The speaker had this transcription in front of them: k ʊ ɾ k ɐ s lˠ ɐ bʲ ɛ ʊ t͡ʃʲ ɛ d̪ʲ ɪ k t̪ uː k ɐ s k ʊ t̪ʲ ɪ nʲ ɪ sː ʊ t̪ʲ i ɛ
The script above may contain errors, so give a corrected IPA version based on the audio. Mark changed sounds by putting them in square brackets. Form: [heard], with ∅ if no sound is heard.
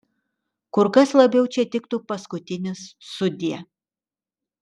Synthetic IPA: k ʊ ɾ k ɐ s lˠ ɐ bʲ ɛ ʊ t͡ʃʲ ɛ [t̪ʲ] ɪ k t̪ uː [p] ɐ s k ʊ t̪ʲ ɪ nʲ ɪ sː ʊ [d̪ʲ] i ɛ